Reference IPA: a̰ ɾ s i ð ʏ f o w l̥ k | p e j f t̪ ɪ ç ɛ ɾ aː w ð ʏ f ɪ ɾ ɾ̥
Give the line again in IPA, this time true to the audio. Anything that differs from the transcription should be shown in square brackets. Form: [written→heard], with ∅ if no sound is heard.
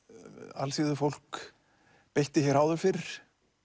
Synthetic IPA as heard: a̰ [ɾ→l] s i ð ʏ f o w l̥ k | p e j [f→h] t̪ ɪ ç ɛ ɾ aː w ð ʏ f ɪ ɾ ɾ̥